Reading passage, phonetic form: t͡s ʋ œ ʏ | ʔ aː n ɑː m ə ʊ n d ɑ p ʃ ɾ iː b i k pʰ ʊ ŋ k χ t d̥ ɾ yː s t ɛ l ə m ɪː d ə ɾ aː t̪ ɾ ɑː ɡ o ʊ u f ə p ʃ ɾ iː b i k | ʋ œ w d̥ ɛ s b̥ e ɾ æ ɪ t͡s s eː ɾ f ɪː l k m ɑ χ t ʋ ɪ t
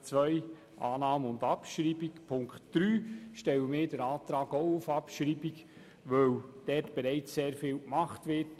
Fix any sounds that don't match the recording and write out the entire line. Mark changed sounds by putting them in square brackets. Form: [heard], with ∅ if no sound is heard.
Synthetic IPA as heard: t͡s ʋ œ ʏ | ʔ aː n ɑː m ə ʊ n d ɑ p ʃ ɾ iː b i k pʰ ʊ ŋ k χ t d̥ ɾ yː [ʃ] t ɛ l ə m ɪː d ə ɾ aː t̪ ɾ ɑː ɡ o ʊ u f [ɑ] p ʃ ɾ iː b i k | ʋ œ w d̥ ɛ [t] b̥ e ɾ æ ɪ t͡s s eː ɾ f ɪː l k m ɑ χ t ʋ ɪ t